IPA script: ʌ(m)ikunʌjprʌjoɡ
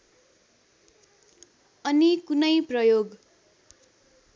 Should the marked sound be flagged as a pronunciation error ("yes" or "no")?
yes